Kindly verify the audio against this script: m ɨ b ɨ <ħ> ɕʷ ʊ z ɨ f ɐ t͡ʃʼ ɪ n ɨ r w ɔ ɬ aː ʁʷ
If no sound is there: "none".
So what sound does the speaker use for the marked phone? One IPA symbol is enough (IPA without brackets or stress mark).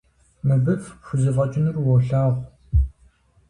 f